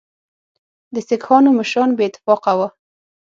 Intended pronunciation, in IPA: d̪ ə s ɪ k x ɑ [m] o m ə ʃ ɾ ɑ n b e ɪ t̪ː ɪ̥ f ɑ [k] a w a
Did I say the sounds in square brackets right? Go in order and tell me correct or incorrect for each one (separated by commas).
incorrect, incorrect